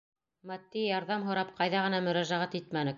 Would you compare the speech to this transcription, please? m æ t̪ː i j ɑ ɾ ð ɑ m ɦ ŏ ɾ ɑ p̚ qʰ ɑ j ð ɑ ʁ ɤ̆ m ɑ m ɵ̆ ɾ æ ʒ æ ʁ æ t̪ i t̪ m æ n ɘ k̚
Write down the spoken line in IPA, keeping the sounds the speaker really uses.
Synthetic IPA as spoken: m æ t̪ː i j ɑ ɾ ð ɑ m ɦ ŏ ɾ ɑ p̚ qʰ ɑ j ð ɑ ʁ ɤ̆ n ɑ m ɵ̆ ɾ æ ʒ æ ʁ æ t̪ i t̪ m æ n ɘ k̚